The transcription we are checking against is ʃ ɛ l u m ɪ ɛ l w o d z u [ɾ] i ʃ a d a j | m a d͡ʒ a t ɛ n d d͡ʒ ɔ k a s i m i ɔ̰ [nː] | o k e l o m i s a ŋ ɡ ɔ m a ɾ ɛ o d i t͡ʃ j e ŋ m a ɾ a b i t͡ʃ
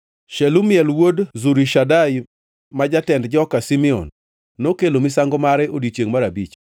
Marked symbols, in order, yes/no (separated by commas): yes, yes